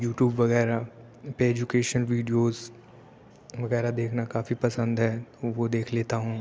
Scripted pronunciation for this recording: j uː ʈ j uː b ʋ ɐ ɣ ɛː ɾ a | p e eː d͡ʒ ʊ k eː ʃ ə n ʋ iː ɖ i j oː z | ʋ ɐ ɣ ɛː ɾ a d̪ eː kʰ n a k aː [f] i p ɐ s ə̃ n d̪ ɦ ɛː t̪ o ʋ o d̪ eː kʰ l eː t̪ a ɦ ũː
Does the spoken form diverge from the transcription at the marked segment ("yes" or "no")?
no